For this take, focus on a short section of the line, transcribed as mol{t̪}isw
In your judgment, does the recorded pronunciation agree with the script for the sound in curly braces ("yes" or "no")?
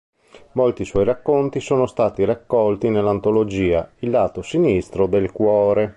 yes